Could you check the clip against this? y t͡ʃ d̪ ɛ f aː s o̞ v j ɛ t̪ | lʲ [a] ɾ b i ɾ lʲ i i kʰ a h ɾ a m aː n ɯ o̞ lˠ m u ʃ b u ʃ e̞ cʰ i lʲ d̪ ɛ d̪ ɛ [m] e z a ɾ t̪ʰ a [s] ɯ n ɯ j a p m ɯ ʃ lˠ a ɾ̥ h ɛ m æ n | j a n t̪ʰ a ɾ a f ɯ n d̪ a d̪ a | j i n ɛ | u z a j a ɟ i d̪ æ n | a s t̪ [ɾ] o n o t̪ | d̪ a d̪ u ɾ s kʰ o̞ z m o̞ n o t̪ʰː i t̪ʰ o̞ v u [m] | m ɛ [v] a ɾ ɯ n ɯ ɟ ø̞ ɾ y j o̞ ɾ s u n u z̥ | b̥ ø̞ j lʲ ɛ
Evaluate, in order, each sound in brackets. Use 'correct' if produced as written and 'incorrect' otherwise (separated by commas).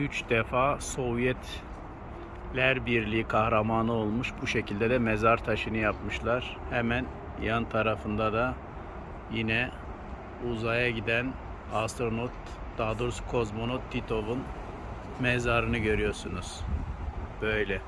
incorrect, correct, incorrect, correct, incorrect, incorrect